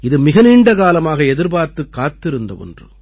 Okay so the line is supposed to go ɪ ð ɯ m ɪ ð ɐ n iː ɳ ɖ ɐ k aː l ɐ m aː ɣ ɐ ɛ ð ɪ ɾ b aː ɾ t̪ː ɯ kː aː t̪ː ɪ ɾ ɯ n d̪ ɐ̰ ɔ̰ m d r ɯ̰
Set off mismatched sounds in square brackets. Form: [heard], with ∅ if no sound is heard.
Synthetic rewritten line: ɪ ð ɯ m ɪ [ɣ] ɐ n iː ɳ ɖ ɐ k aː l ɐ m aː ɣ ɐ ɛ ð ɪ ɾ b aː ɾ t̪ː ɯ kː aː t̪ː ɪ ɾ ɯ n d̪ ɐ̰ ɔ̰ [n] d r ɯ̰